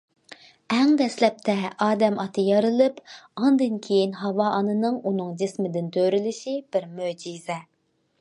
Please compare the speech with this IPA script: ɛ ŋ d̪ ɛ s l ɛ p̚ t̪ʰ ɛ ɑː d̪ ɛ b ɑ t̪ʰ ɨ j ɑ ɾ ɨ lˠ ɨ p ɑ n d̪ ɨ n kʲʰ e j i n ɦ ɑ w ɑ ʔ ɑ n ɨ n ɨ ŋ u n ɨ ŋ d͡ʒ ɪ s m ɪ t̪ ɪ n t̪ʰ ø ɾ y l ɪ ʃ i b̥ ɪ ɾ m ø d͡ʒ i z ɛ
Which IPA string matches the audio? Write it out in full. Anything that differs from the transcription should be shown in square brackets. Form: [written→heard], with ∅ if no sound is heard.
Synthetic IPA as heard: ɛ ŋ d̪ ɛ s l ɛ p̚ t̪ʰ ɛ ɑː d̪ ɛ [b→m] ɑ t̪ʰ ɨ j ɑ ɾ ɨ lˠ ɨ p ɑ n d̪ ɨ n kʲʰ e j i n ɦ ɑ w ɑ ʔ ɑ n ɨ n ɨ ŋ u n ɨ ŋ d͡ʒ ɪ s m ɪ [t̪→d̪] ɪ n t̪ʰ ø ɾ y l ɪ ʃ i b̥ ɪ ɾ m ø d͡ʒ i z ɛ